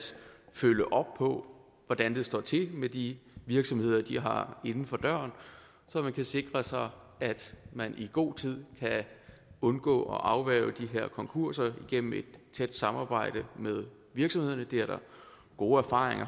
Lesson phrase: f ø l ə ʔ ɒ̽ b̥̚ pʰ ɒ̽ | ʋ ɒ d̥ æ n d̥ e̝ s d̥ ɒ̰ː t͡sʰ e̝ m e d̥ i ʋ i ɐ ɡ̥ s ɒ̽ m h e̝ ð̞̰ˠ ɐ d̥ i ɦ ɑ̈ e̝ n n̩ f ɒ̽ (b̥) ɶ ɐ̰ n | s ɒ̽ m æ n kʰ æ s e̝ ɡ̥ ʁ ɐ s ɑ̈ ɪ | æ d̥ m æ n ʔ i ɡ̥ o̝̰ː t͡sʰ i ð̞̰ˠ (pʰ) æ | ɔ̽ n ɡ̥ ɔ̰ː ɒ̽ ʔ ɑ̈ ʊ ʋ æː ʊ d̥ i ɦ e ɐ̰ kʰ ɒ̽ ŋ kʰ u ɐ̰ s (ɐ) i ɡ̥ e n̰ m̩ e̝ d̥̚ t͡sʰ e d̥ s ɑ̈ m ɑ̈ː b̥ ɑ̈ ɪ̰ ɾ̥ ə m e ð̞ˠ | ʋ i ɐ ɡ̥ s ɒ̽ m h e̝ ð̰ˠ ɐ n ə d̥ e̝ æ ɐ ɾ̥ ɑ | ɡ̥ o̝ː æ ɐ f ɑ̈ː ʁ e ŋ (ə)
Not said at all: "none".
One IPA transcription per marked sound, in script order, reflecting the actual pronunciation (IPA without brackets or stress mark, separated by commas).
d̥, kʰ, ɐ, ɐ